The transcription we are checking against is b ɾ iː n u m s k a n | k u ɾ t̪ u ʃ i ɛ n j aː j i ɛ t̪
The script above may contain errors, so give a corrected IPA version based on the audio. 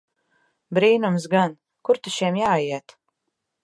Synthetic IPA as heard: b ɾ iː n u m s ɡ a n | k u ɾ t̪ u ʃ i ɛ m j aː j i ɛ t̪